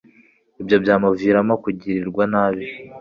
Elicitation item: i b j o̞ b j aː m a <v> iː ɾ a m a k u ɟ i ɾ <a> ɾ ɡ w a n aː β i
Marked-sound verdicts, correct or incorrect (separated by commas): correct, incorrect